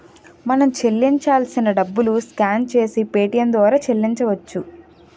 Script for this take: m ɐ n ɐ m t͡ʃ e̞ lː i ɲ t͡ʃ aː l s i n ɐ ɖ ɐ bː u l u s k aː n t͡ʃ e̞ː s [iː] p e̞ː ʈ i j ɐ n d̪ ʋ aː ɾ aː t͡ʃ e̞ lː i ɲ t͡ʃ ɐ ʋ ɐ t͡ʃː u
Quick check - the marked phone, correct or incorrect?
incorrect